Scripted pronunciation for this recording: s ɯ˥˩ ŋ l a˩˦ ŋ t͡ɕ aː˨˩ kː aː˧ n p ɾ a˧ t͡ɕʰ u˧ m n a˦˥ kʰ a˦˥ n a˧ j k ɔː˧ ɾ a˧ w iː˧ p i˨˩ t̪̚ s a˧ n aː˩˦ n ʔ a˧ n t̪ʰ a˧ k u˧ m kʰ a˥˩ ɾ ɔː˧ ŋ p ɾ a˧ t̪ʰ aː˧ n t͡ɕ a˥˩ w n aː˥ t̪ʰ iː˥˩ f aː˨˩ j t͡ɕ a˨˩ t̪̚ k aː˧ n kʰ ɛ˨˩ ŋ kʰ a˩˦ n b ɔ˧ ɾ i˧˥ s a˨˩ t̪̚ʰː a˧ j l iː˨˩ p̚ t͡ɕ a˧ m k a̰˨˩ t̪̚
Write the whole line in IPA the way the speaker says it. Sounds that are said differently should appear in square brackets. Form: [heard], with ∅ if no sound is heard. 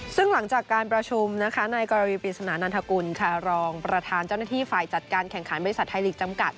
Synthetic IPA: s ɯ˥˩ ŋ l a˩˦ ŋ t͡ɕ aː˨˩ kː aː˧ n p ɾ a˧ t͡ɕʰ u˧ m n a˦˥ kʰ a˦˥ n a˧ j k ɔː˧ ɾ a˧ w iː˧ p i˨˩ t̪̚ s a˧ n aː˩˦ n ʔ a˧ n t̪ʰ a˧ k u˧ [n] kʰ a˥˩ ɾ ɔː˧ ŋ p ɾ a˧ t̪ʰ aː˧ n t͡ɕ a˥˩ w n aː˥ t̪ʰ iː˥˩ f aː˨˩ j t͡ɕ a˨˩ t̪̚ k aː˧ n kʰ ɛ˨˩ ŋ kʰ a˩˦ n b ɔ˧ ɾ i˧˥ s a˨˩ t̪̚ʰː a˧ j l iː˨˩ [k̚] t͡ɕ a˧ m k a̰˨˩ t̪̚